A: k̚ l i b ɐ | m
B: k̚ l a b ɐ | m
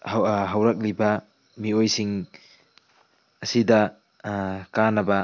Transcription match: A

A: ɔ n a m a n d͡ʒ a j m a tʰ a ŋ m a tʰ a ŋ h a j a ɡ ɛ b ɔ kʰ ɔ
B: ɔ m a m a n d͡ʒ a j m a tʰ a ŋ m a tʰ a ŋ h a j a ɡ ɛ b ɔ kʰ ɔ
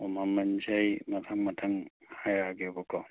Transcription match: B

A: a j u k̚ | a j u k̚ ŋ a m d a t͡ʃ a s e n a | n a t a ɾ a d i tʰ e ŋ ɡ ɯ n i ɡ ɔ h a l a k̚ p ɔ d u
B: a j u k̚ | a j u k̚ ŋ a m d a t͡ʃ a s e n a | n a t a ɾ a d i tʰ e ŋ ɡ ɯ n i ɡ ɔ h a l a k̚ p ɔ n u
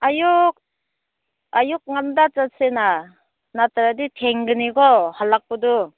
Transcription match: A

